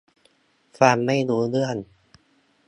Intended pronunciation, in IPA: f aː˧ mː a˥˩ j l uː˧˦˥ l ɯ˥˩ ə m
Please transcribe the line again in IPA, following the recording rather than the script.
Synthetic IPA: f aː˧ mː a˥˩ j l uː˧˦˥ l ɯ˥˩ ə n